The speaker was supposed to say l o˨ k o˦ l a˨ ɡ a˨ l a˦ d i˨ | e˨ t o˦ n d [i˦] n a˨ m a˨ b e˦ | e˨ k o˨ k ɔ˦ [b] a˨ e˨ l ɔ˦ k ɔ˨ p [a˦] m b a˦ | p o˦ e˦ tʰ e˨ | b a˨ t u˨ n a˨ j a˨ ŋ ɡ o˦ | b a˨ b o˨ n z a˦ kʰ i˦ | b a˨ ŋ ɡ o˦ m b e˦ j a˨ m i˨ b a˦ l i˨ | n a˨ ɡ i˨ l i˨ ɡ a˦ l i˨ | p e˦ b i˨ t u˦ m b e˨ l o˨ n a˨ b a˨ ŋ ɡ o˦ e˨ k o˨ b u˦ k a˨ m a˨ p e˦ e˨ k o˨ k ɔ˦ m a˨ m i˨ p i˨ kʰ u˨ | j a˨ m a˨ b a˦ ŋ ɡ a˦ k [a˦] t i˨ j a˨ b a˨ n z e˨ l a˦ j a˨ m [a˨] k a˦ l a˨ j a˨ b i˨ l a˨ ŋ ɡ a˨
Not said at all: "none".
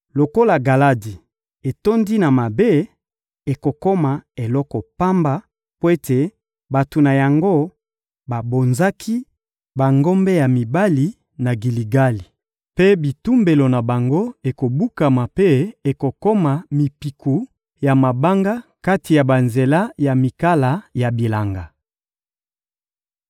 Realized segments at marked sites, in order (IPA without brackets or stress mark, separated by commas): i˦, m, a˦, a˦, i˨